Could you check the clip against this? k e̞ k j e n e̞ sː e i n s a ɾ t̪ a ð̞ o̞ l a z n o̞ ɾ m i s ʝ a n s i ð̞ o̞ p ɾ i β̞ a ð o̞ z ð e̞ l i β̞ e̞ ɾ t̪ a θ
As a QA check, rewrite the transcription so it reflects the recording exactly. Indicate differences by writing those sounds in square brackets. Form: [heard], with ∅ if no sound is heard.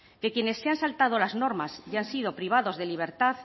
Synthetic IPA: k e̞ k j e n e̞ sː e [a] n s a [l] t̪ a ð̞ o̞ l a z n o̞ ɾ m [a] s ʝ a n s i ð̞ o̞ p ɾ i β̞ a ð o̞ z ð e̞ l i β̞ e̞ ɾ t̪ a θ